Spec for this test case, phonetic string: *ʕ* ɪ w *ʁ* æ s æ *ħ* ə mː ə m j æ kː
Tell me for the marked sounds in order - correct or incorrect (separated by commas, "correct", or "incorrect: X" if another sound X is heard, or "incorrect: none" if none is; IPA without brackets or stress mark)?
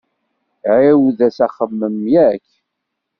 correct, incorrect: ð, incorrect: χ